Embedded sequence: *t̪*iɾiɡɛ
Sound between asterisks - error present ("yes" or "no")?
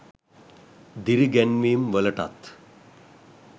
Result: yes